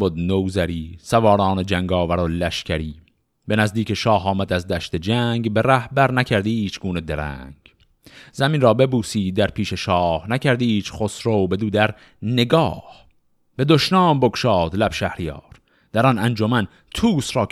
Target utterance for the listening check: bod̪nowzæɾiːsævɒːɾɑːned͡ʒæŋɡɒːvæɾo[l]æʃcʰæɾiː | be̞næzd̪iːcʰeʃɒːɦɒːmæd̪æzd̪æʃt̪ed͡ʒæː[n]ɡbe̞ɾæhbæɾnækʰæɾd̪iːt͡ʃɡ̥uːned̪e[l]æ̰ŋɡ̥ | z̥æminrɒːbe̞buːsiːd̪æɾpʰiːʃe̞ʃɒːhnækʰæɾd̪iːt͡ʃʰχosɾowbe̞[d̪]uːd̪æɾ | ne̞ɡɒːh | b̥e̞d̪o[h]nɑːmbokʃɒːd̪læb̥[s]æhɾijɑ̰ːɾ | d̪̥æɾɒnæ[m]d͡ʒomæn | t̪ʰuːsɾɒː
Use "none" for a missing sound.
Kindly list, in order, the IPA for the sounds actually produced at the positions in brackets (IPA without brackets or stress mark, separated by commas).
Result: l, ŋ, ɾ, d̪, ʃ, ʃ, n